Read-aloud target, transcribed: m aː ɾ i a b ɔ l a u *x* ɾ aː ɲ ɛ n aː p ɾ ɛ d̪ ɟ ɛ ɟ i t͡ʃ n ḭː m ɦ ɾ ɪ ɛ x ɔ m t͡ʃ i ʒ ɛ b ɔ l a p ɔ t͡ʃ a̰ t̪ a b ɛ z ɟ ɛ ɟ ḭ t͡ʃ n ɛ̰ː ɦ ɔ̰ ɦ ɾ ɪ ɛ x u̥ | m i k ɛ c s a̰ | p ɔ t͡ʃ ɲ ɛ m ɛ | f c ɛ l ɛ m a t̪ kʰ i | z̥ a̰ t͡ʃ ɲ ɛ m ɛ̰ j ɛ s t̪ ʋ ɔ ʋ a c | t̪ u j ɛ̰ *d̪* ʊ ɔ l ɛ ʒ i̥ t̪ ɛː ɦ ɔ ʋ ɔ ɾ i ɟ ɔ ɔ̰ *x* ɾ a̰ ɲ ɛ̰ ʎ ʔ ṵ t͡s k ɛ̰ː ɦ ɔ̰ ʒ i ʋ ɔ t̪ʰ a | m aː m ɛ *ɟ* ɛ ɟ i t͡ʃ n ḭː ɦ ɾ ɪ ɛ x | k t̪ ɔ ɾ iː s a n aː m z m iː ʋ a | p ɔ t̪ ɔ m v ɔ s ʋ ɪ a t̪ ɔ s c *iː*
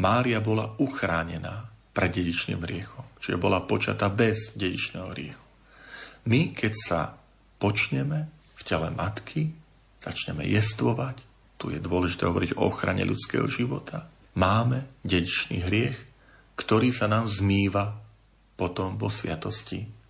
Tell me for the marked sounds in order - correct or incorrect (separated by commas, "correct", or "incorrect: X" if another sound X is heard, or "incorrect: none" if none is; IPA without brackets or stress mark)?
correct, correct, correct, correct, incorrect: i